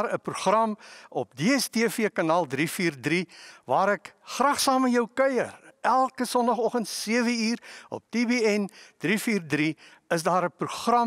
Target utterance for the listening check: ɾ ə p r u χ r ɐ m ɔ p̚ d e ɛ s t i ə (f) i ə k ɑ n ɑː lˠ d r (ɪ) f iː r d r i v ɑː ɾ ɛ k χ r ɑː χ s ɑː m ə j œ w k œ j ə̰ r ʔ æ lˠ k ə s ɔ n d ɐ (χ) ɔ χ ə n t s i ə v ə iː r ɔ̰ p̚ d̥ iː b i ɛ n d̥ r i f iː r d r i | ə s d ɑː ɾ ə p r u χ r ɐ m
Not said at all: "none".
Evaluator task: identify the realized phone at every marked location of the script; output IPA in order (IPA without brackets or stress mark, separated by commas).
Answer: f, i, χ